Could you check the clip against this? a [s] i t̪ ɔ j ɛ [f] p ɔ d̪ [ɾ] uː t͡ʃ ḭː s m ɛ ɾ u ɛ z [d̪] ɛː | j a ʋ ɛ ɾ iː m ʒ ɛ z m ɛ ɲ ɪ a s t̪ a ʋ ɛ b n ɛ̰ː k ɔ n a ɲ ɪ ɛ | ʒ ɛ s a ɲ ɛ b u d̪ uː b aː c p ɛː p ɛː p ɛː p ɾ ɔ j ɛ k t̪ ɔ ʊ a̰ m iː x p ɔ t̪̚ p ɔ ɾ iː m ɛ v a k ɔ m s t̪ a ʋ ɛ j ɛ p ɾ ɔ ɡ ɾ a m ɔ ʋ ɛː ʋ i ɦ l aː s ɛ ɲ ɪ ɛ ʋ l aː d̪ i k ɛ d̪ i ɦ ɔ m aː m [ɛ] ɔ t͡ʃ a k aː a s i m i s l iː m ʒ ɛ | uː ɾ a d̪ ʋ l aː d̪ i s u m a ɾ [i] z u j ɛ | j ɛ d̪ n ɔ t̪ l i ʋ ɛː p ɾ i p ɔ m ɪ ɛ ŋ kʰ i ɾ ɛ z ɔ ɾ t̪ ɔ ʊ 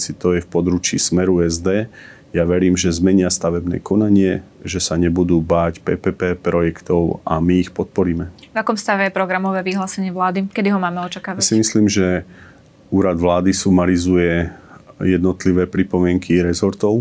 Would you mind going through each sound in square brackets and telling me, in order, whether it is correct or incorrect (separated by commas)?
correct, correct, correct, correct, correct, correct